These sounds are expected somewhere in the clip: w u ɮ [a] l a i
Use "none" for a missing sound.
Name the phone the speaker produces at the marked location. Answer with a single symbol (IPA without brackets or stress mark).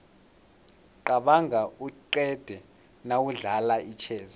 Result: a